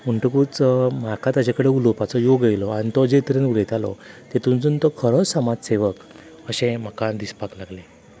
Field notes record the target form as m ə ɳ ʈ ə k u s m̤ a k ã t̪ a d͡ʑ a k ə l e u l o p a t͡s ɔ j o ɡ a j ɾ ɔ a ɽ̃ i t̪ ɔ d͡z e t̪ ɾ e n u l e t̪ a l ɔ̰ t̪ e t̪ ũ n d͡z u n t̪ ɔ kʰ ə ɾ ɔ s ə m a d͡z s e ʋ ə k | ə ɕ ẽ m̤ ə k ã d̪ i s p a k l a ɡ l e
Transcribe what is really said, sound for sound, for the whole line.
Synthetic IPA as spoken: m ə ɳ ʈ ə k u t͡s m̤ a k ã t̪ a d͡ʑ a k ə ɽ e u l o p a t͡s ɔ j o ɡ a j l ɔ a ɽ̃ i t̪ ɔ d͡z e t̪ ɾ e n u l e t̪ a l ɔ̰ t̪ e t̪ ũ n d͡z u n t̪ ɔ kʰ ə ɾ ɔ s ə m a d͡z s e ʋ ə k | ə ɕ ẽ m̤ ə k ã d̪ i s p a k l a ɡ l e